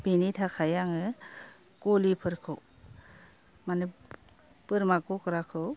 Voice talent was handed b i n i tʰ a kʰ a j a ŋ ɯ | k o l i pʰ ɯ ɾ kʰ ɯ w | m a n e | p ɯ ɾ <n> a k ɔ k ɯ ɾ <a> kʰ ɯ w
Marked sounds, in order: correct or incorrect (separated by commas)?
incorrect, correct